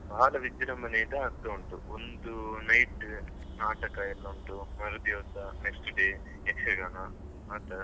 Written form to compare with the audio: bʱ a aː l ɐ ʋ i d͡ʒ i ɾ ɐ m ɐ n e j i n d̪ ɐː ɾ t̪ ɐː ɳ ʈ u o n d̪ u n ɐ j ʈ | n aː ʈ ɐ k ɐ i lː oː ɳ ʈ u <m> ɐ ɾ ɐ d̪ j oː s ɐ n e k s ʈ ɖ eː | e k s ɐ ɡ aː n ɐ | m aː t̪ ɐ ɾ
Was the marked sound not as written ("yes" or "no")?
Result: no